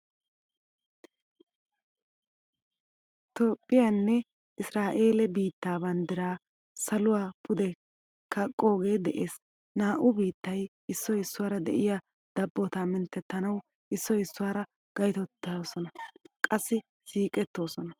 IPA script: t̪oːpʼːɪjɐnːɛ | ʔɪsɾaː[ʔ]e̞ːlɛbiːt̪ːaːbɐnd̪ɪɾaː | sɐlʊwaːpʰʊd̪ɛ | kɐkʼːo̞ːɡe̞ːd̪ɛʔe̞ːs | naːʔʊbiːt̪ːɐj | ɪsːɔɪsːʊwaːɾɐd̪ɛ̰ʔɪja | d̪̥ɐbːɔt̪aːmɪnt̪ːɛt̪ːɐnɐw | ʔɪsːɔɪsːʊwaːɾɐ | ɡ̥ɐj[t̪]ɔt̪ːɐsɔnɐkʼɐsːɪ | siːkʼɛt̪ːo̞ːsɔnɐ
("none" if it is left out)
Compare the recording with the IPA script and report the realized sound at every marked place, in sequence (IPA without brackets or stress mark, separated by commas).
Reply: ʔ, t̪